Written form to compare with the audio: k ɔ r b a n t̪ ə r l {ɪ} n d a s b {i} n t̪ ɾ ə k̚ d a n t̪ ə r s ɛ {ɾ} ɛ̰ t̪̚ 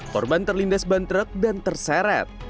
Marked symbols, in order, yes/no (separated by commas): no, no, yes